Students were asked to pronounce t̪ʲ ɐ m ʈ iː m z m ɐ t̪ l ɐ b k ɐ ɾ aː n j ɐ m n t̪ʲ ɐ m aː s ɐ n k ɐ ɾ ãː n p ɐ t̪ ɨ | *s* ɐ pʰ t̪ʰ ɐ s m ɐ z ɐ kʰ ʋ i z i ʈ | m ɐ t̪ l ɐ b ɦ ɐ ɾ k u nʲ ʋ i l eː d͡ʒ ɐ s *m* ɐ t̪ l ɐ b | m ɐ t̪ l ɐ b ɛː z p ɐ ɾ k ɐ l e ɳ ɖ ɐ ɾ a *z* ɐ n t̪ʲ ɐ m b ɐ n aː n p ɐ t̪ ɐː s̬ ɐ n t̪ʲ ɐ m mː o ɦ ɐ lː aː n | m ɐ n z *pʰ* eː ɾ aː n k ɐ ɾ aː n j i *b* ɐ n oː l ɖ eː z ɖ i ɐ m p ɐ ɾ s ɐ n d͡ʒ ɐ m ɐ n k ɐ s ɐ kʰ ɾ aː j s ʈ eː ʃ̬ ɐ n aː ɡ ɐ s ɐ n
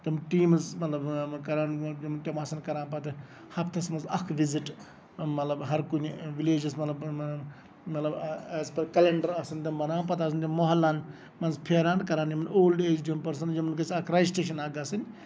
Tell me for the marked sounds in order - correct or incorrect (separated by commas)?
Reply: incorrect, correct, incorrect, correct, incorrect